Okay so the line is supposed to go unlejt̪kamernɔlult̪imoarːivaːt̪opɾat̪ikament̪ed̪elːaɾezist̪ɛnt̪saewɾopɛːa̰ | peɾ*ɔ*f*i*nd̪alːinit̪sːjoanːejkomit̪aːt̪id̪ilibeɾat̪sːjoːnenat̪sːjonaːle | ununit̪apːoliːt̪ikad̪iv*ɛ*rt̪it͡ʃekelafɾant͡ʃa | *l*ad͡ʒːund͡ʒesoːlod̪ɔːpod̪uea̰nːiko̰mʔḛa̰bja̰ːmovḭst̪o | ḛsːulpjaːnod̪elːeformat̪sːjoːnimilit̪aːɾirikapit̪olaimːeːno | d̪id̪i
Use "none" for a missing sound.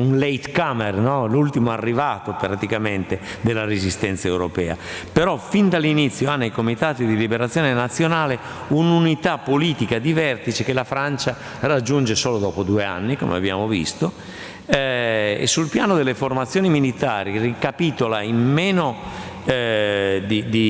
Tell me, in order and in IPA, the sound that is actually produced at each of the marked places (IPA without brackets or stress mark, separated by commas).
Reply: ɔ, i, ɛ, r